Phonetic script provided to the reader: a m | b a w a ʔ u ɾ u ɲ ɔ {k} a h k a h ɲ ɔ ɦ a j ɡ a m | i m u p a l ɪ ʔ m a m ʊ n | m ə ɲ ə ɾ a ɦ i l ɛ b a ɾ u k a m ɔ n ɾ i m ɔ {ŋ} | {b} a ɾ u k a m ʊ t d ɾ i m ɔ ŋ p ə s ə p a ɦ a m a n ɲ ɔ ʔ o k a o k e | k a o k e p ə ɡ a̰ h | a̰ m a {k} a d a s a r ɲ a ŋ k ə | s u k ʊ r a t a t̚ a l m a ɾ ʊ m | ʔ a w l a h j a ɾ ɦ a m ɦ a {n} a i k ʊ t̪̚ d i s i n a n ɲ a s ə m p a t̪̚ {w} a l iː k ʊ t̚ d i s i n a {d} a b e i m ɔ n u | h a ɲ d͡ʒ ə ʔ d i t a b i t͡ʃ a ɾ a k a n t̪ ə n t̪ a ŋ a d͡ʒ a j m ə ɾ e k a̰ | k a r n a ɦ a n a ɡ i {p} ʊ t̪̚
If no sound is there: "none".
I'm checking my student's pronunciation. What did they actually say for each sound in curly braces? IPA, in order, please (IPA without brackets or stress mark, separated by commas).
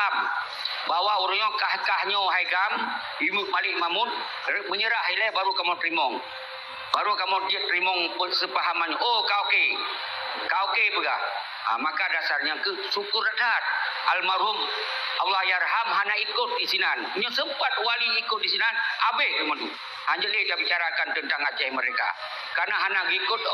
k, ŋ, b, k, n, w, n, k